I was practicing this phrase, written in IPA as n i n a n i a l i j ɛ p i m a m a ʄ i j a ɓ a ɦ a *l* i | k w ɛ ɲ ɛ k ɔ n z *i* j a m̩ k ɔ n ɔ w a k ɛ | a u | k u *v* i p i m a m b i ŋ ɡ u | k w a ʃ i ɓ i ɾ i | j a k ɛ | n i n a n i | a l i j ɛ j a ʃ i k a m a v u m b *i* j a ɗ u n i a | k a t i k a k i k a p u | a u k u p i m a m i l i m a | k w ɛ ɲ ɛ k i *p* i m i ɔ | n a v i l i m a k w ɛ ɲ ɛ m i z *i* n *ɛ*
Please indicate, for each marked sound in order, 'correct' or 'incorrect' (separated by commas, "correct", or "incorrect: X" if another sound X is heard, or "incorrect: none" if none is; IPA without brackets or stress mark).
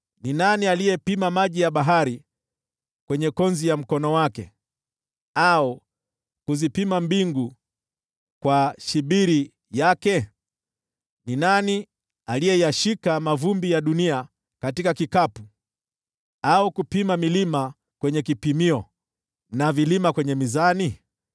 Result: incorrect: ɾ, correct, incorrect: z, correct, correct, incorrect: a, incorrect: i